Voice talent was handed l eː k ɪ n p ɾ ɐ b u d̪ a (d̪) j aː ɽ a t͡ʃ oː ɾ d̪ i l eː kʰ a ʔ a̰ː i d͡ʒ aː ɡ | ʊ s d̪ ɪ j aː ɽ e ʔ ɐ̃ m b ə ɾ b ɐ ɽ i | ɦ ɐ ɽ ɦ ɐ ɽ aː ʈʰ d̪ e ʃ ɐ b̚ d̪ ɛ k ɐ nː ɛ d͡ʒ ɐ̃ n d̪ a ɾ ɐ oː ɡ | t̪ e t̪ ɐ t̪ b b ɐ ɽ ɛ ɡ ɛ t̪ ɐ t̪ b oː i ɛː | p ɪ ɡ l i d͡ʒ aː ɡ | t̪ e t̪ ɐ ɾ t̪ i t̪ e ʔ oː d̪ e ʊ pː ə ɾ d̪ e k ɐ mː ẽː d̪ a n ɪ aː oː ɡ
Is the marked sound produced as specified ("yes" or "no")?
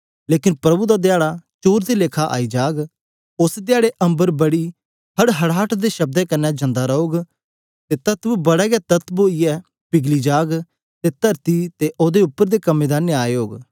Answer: yes